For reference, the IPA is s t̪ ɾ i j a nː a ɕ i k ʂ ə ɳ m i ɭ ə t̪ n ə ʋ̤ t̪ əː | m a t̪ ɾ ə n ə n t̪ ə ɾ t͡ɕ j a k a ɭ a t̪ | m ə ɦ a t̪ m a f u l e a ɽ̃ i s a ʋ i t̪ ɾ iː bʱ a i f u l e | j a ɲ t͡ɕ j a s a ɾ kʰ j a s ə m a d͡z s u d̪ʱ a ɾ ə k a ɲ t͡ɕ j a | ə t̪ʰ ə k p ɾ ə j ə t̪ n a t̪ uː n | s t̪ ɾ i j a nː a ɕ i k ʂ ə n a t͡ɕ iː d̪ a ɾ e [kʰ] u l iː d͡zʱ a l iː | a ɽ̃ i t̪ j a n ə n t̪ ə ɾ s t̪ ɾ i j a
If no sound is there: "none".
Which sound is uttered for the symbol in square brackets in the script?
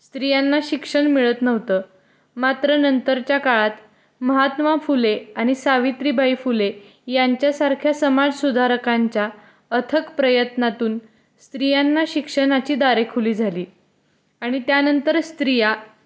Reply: kʰ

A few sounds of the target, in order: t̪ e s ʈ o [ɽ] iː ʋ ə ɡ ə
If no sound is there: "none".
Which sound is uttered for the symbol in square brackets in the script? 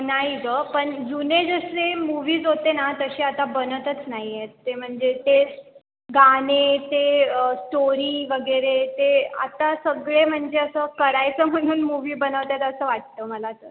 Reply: ɾ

